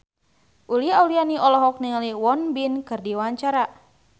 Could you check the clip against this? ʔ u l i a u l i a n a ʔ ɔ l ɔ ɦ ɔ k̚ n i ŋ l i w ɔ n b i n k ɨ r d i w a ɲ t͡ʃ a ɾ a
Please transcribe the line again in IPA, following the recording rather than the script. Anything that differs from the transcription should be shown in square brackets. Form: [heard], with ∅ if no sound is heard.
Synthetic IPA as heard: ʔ u l i a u l i a n [i] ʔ ɔ l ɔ ɦ ɔ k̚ n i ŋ l i w ɔ n b i n k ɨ r d i w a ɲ t͡ʃ a ɾ a